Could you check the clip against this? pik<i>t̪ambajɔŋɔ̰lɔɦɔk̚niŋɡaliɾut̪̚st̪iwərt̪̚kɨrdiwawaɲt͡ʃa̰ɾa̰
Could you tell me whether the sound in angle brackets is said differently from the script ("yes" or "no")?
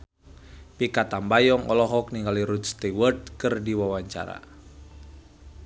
yes